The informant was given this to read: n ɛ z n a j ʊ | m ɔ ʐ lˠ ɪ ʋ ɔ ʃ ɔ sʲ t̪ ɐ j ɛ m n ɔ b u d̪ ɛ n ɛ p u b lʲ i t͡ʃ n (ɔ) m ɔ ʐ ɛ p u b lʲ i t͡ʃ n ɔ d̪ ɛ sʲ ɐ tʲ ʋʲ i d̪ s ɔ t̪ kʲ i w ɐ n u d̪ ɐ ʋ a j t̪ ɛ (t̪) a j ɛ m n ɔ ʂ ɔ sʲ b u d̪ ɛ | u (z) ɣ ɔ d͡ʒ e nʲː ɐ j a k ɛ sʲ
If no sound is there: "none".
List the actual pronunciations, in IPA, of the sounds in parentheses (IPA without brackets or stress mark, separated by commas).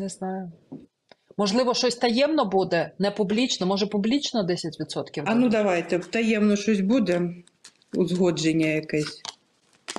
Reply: ɔ, t̪, z